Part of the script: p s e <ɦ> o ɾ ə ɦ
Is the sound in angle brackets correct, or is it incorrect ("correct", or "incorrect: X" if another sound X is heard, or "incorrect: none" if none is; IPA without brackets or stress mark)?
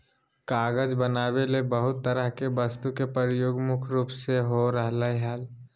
correct